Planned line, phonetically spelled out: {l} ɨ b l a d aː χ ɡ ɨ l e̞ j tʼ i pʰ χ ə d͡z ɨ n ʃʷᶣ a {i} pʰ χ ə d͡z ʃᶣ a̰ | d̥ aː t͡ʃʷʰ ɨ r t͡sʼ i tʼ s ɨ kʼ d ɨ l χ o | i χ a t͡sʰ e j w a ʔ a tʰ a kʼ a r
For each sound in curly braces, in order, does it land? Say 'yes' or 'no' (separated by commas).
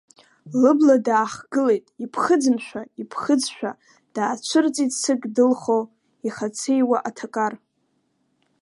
yes, yes